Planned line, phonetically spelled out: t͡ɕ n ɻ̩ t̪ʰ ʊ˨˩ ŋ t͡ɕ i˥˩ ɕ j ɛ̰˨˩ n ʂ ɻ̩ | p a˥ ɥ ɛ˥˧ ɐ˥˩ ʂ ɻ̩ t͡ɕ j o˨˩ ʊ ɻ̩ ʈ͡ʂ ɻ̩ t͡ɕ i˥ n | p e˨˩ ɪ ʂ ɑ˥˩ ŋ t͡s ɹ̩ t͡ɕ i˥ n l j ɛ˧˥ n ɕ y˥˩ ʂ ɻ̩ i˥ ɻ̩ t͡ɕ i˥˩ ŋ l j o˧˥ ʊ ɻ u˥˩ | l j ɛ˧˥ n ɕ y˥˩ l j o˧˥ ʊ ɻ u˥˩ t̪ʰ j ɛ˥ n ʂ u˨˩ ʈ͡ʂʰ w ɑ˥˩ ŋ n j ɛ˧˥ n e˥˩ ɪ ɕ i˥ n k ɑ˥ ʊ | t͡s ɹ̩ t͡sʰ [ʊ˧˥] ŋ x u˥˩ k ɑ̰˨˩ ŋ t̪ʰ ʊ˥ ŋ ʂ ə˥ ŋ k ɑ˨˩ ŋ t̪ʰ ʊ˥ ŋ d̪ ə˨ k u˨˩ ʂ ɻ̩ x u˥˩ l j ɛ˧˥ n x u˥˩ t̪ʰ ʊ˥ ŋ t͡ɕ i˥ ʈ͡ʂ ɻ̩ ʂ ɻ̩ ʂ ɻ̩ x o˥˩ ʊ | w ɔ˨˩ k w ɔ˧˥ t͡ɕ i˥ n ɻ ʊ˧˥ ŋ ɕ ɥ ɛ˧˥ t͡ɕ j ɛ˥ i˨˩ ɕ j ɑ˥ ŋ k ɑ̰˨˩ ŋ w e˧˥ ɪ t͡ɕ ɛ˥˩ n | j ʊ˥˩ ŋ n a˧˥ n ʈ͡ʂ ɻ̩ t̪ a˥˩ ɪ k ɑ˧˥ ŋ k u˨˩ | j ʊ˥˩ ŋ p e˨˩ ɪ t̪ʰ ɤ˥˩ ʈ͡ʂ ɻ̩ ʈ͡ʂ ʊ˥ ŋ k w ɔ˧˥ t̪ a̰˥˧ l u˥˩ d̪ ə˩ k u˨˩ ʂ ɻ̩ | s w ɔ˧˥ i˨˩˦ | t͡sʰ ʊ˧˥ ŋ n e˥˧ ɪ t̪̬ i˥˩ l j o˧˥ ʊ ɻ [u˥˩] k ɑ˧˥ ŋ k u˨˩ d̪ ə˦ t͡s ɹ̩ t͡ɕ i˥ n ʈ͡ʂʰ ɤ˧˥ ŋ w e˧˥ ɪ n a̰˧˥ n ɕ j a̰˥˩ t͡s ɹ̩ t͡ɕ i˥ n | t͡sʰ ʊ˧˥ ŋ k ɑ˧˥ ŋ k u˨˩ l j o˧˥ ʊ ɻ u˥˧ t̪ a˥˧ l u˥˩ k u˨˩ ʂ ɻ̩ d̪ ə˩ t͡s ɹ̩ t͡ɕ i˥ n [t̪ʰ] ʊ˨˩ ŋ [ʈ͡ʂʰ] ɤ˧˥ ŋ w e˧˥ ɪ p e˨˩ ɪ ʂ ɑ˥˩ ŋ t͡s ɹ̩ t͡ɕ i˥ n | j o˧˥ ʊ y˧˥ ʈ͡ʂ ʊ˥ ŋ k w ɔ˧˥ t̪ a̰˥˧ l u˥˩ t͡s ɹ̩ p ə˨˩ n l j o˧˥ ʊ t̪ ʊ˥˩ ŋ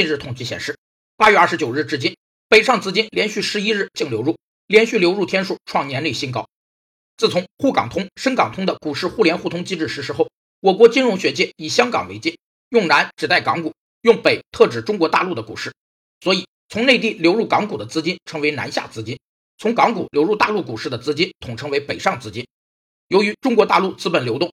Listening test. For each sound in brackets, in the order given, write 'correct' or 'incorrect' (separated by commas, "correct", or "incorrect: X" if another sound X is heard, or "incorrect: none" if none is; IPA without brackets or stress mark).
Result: correct, correct, correct, correct